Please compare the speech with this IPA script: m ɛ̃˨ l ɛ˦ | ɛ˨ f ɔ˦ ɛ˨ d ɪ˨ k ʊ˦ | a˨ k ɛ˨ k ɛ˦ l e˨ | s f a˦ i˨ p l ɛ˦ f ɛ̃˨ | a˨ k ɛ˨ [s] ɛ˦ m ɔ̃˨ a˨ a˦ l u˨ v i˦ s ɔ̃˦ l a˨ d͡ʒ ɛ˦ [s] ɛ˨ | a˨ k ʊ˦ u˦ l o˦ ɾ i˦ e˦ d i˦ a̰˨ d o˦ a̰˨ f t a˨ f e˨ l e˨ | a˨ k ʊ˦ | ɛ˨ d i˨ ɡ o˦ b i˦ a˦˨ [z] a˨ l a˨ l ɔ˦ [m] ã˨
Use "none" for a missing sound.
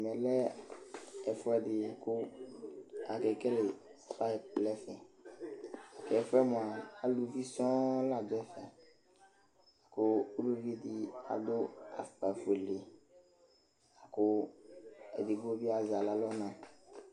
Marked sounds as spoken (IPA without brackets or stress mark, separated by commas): f, f, z, n